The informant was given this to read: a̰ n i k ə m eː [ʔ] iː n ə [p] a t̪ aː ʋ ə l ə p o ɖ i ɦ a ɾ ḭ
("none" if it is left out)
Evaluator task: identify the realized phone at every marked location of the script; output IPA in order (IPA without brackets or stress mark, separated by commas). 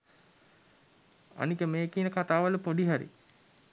k, k